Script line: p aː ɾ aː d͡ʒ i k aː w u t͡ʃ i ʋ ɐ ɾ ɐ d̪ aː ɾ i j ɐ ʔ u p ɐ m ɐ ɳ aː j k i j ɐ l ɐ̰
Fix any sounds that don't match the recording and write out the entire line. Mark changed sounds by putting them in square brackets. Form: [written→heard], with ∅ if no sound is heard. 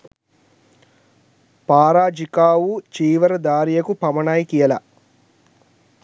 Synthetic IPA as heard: p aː ɾ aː d͡ʒ i k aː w u t͡ʃ [i→iː] ʋ ɐ ɾ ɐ d̪ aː ɾ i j ɐ [ʔ→k] u p ɐ m ɐ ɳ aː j k i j ɐ l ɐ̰